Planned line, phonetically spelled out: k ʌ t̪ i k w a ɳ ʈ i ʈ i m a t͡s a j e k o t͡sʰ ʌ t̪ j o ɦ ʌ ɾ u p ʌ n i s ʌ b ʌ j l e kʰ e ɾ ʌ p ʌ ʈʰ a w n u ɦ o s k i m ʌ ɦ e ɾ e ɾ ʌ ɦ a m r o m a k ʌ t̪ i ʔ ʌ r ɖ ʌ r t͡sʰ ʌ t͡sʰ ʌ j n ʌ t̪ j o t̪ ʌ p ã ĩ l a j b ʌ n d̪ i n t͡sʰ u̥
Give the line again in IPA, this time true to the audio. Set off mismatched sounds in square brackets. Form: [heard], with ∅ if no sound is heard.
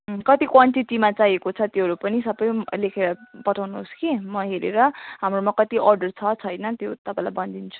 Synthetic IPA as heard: k ʌ t̪ i k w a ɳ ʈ i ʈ i m a t͡s a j e k o t͡sʰ ʌ t̪ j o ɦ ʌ ɾ u p ʌ n i s ʌ b ʌ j l e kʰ e ɾ ʌ p ʌ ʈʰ a w n u ɦ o s k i m ʌ ɦ e ɾ e ɾ ʌ ɦ a m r o m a k ʌ t̪ i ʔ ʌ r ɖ ʌ r t͡sʰ ʌ t͡sʰ ʌ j n ʌ t̪ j o t̪ ʌ p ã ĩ l a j b ʌ n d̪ i n t͡sʰ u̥

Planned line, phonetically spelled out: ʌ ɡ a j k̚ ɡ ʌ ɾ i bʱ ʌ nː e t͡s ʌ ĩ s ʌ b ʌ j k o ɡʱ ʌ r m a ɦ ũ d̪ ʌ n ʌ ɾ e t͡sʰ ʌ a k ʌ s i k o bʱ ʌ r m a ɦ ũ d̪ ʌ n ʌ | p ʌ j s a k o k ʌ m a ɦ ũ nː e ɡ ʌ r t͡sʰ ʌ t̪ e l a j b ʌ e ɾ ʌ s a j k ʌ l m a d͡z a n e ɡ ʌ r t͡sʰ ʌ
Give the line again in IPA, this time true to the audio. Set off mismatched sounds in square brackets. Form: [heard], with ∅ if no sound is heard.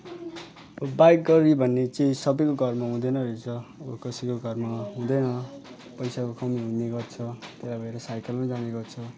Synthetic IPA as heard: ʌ [b] a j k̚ ɡ ʌ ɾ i bʱ ʌ nː e t͡s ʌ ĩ s ʌ b ʌ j k o ɡʱ ʌ r m a ɦ ũ d̪ ʌ n ʌ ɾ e t͡sʰ ʌ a k ʌ s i k o [ɡʱ] ʌ r m a ɦ ũ d̪ ʌ n ʌ | p ʌ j s a k o k ʌ m [i] ɦ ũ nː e ɡ ʌ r t͡sʰ ʌ t̪ e l a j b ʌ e ɾ ʌ s a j k ʌ l m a d͡z a n e ɡ ʌ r t͡sʰ ʌ

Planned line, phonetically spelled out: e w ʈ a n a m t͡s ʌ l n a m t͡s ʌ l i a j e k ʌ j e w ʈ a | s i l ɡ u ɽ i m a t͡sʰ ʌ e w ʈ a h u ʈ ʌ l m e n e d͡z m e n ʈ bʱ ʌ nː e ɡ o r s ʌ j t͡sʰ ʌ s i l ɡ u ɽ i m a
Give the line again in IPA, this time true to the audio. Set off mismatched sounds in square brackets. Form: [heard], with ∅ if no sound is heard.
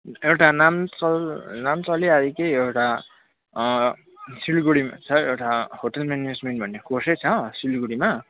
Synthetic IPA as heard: e w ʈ a n a m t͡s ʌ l n a m t͡s ʌ l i a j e k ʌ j e w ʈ a | s i l ɡ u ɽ i m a t͡sʰ ʌ e w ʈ a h [o] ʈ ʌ l m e n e d͡z m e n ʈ bʱ ʌ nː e [k] o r s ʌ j t͡sʰ ʌ s i l ɡ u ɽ i m a

